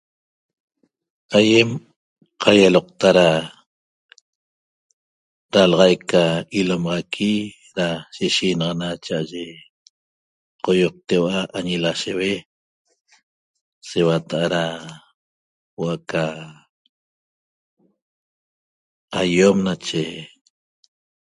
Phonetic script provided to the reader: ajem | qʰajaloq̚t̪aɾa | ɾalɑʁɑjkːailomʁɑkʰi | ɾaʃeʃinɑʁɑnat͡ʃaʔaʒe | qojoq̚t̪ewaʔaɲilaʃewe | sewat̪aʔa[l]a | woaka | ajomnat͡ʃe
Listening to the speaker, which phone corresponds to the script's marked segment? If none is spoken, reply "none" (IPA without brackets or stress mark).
ɾ